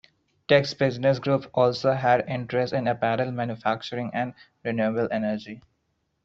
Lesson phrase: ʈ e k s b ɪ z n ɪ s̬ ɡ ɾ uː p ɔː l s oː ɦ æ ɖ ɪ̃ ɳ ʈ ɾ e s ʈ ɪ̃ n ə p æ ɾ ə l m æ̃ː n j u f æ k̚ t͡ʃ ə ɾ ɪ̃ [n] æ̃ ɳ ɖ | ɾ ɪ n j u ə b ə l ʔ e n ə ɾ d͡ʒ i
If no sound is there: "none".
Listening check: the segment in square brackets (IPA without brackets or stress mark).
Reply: ŋ